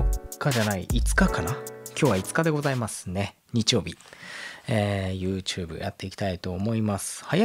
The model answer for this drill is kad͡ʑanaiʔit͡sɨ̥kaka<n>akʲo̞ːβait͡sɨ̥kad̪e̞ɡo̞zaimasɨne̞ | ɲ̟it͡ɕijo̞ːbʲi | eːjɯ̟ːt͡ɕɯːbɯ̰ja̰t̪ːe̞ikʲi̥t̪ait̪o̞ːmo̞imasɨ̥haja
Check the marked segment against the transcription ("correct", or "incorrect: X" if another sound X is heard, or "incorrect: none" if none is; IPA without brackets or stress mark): correct